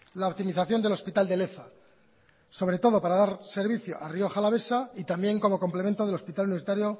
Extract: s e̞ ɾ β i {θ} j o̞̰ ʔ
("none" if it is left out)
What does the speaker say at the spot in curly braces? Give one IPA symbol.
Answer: θ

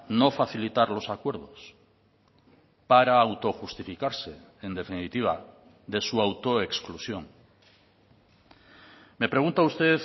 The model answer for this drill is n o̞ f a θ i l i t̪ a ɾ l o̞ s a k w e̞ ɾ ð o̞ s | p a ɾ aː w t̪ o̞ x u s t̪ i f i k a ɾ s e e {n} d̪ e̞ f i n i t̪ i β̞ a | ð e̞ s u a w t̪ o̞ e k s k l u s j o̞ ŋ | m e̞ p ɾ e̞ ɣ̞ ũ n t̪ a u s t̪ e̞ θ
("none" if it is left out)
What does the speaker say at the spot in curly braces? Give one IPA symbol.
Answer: n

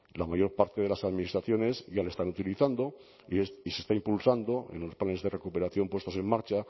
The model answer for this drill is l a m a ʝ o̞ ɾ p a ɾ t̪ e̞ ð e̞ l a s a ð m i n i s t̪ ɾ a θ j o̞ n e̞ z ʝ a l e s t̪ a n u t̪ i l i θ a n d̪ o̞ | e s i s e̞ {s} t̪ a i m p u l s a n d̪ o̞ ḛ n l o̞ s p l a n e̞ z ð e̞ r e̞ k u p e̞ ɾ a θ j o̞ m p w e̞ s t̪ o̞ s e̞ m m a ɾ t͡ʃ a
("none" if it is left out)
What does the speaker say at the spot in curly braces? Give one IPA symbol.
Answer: s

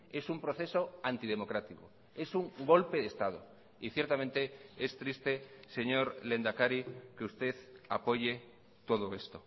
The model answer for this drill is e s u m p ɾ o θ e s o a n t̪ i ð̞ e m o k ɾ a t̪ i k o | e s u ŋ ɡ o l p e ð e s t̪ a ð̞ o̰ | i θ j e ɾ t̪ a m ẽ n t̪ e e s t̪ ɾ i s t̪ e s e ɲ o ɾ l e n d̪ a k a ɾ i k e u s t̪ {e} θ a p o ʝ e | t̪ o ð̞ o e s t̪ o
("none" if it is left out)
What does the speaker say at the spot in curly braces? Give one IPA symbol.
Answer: e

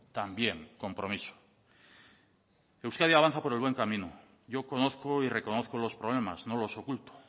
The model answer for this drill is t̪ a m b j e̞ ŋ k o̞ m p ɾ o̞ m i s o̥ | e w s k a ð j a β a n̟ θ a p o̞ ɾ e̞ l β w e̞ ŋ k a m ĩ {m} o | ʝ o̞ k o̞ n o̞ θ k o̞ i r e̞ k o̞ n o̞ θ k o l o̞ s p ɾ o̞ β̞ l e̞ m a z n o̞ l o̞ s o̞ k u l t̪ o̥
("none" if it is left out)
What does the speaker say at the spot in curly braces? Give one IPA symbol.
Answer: n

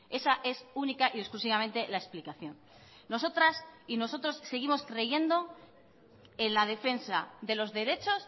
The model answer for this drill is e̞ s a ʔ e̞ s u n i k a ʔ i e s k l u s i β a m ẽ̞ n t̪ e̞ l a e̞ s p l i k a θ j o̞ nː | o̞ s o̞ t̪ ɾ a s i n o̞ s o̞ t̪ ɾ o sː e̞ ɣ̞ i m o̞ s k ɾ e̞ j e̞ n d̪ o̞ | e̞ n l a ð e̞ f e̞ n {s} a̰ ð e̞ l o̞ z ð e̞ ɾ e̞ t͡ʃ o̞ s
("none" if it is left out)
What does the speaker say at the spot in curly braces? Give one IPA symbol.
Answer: s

